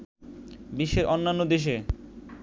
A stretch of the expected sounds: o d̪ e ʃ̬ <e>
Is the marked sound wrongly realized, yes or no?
no